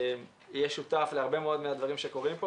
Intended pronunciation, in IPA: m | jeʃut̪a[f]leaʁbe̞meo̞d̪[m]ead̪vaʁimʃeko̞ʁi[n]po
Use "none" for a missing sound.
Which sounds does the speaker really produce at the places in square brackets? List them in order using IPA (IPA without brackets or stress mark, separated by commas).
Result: f, m, m